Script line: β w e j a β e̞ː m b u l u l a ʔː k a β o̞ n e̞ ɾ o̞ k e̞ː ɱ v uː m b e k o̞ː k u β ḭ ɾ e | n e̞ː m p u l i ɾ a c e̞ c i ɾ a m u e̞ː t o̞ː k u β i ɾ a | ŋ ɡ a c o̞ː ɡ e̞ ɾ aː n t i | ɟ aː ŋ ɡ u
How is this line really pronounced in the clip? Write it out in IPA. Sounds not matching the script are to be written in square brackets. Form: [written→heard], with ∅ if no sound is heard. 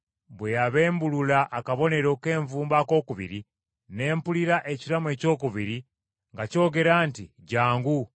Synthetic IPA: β w e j a β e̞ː m b u l u l a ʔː k a β o̞ n e̞ ɾ o̞ k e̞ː ɱ v uː m b [e→a] k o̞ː k u β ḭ ɾ [e→i] | n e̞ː m p u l i ɾ a [c→ʔ] e̞ c i ɾ a m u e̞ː [t→c] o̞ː k u β i ɾ [a→i] | ŋ ɡ a c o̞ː ɡ e̞ ɾ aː n t i | ɟ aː ŋ ɡ u